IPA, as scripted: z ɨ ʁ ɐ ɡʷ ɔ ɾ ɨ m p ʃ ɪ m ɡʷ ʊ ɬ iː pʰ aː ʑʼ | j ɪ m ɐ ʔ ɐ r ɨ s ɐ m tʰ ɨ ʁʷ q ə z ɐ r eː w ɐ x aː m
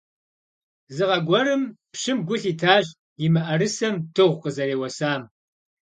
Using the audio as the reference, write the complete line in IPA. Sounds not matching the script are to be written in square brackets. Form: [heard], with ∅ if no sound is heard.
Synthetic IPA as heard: z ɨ ʁ ɐ ɡʷ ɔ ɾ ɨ m p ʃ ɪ m ɡʷ ʊ ɬ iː [tʰ] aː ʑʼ | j ɪ m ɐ ʔ ɐ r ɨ s ɐ m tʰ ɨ ʁʷ q ə z ɐ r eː w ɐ [s] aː m